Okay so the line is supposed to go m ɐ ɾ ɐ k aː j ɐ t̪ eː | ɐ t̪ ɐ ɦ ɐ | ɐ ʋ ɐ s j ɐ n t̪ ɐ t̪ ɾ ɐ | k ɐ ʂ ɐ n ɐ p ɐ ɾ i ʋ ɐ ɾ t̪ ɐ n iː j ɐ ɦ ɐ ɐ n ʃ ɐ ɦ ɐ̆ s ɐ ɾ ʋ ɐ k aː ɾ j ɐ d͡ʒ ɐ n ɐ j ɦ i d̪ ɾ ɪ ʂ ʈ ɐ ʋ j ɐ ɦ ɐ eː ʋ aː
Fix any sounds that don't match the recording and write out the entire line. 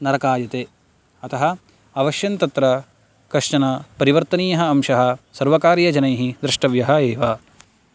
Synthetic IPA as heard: n ɐ ɾ ɐ k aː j ɐ t̪ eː | ɐ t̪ ɐ ɦ ɐ | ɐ ʋ ɐ ʃ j ɐ n t̪ ɐ t̪ ɾ ɐ | k ɐ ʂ ɐ n ɐ p ɐ ɾ i ʋ ɐ ɾ t̪ ɐ n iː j ɐ ɦ ɐ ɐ m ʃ ɐ ɦ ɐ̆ s ɐ ɾ ʋ ɐ k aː ɾ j ɐ d͡ʒ ɐ n ɐ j ɦ i d̪ ɾ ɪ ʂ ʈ ɐ ʋ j ɐ ɦ ɐ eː ʋ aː